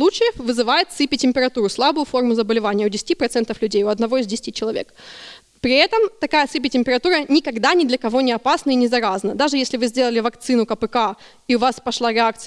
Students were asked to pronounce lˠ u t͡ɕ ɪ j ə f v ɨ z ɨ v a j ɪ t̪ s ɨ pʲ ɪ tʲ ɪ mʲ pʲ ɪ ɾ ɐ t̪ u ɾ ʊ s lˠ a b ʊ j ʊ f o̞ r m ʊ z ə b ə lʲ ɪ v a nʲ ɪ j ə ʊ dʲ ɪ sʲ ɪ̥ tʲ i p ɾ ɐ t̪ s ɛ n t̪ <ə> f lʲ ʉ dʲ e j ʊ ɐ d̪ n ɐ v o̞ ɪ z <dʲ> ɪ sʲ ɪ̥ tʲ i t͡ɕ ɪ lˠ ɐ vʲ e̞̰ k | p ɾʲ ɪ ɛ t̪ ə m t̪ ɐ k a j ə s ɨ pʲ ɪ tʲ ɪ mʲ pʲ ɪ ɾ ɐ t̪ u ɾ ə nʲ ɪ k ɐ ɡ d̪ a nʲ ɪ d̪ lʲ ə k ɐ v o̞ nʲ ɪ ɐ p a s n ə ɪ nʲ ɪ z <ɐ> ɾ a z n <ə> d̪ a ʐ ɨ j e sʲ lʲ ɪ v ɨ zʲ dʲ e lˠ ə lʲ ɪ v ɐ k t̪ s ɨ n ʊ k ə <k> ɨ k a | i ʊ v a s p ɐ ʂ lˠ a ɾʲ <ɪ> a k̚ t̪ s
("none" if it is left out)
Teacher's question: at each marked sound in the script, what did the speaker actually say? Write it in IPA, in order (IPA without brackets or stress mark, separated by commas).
ə, dʲ, ɐ, ə, p, ɪ